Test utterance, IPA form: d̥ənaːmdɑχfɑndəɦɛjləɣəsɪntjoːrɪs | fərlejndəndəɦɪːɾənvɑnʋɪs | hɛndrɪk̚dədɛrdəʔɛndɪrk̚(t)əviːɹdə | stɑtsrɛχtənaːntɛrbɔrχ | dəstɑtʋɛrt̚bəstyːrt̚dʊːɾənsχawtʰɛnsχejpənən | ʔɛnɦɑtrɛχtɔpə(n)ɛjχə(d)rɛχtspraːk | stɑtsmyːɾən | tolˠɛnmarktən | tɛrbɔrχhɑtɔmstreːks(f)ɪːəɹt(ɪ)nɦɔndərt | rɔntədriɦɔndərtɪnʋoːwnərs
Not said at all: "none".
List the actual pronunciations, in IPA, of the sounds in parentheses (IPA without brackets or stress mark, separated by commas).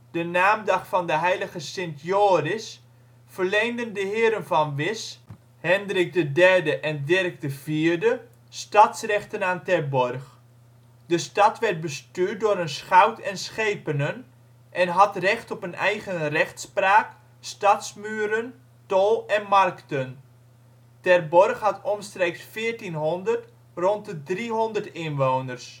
d, n, n, f, i